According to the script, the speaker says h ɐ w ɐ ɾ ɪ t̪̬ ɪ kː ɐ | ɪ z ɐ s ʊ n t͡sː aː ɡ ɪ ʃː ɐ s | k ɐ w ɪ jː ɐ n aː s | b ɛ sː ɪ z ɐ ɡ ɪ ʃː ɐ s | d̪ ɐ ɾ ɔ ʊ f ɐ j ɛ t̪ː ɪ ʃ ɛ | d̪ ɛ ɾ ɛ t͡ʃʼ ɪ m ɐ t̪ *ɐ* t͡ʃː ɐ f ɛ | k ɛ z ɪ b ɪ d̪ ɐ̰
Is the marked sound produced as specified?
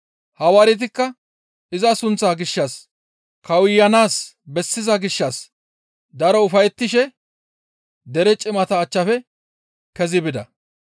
no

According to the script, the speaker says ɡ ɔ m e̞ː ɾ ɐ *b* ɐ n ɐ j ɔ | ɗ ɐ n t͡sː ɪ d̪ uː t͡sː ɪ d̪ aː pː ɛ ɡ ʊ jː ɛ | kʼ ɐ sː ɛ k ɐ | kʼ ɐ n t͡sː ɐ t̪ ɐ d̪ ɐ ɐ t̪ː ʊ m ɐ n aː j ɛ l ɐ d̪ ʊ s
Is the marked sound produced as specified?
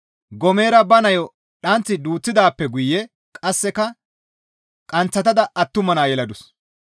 yes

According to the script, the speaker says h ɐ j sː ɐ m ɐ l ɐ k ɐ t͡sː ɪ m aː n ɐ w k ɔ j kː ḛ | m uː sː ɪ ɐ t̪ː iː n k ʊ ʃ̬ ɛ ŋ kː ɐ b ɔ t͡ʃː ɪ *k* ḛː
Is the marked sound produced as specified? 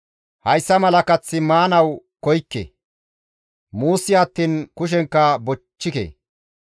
yes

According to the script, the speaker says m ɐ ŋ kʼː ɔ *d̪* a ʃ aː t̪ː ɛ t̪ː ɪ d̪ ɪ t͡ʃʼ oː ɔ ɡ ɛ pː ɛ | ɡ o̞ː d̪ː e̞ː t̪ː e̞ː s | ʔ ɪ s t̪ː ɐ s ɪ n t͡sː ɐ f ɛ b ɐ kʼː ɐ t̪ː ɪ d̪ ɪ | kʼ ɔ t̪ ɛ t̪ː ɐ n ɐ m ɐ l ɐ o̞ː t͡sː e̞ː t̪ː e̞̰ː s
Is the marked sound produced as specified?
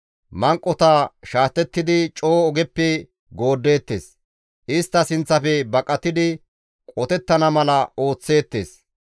no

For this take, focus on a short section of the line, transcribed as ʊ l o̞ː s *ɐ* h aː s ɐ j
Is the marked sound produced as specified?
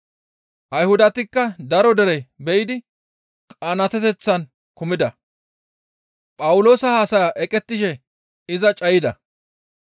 yes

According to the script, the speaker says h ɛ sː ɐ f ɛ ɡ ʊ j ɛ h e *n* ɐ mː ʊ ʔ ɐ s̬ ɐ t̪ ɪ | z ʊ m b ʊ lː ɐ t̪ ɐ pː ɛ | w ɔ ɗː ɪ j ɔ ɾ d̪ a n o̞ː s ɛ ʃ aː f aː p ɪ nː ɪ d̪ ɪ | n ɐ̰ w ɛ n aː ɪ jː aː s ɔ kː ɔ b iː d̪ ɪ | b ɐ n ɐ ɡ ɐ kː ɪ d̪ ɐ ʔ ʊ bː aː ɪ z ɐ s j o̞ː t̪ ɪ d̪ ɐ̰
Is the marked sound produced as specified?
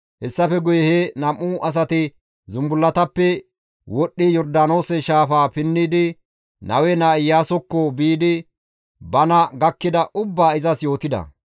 yes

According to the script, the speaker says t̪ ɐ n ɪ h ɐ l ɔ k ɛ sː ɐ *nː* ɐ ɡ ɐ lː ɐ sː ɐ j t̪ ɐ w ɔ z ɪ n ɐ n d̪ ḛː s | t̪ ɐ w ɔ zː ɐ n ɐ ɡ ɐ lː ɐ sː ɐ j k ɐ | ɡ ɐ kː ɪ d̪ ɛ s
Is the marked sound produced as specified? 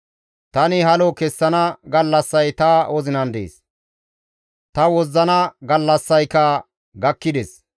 no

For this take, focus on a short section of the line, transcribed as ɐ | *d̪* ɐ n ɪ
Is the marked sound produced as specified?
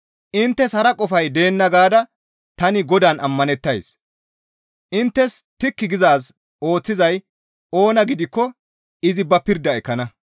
no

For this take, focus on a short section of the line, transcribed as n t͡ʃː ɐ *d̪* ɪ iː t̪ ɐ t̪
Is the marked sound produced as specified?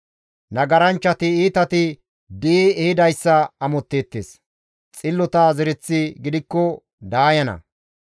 no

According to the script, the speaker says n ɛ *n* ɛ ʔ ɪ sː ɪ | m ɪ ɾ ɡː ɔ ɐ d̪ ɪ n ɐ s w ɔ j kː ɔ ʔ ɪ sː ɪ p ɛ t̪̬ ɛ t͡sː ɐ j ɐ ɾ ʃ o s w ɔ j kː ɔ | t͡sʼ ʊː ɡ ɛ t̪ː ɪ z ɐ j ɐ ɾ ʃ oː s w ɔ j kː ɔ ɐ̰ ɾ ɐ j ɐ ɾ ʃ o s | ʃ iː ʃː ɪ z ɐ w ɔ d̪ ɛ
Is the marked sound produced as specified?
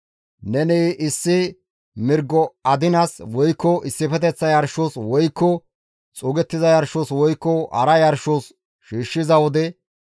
yes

